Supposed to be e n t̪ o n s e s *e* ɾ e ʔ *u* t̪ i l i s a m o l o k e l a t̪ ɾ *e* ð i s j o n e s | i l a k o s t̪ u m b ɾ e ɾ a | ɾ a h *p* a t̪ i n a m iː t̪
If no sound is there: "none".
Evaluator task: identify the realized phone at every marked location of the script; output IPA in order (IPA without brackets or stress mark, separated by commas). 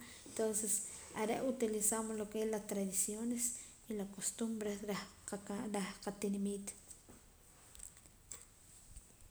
a, u, a, q